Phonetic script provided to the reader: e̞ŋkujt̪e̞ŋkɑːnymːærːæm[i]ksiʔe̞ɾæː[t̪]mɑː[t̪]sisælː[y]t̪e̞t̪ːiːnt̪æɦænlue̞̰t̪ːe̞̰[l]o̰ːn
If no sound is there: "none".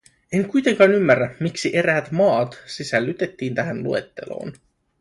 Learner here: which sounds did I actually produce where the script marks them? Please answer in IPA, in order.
i, t̪, t̪, y, l

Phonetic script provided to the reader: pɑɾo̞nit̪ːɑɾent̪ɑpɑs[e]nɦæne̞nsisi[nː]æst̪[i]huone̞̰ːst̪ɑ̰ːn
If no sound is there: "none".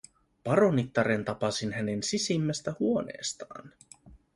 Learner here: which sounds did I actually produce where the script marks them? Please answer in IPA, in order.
i, mː, æ

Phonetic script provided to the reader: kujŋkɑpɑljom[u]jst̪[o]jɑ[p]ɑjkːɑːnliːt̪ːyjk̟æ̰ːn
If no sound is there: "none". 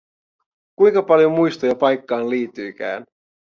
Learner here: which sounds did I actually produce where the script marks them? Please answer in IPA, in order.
u, o, p

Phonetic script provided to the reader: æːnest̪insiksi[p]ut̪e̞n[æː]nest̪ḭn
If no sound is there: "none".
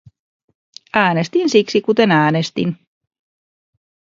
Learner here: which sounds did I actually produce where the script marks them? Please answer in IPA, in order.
k, æː

